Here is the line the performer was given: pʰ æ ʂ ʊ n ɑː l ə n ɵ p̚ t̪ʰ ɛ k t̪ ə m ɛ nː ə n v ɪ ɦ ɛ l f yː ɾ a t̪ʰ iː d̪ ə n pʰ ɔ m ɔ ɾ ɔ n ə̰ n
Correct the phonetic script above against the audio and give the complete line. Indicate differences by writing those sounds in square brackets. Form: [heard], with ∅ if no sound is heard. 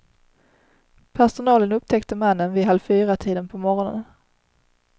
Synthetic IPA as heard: pʰ æ ʂ ʊ n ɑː l ə n ɵ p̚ t̪ʰ ɛ k t̪ ə m [a] nː ə n v ɪ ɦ [a] l f yː ɾ a t̪ʰ iː d̪ ə n pʰ ɔ m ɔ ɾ ɔ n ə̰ n